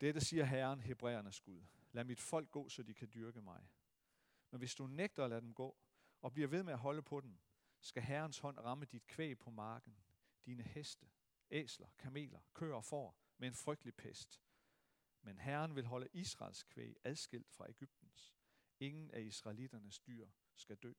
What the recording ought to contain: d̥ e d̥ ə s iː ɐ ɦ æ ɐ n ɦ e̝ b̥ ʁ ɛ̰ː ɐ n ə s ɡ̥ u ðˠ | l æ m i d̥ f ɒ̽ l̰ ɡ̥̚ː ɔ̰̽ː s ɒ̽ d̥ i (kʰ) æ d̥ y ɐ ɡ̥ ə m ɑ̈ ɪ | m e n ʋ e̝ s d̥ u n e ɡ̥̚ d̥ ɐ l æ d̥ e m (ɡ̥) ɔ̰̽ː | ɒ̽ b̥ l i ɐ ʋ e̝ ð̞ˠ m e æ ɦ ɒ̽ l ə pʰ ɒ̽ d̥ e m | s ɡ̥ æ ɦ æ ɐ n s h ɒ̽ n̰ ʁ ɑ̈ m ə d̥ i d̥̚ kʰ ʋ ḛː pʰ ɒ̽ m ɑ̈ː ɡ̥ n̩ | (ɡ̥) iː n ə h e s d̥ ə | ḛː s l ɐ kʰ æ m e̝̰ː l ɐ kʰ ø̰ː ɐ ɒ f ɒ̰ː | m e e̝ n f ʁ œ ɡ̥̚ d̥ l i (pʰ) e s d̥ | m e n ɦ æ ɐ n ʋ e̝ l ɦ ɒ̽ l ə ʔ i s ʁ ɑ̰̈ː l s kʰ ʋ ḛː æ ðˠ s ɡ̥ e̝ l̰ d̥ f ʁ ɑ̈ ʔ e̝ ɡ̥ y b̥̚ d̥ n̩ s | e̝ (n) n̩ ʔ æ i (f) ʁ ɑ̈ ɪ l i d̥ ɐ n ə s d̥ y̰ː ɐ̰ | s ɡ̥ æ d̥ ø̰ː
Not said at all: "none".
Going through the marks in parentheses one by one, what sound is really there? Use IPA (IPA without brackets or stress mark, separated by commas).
kʰ, ɡ̥, d̥, pʰ, ŋ, s